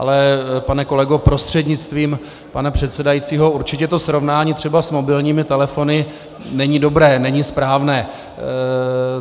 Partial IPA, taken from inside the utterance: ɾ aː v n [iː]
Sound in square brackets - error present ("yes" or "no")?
yes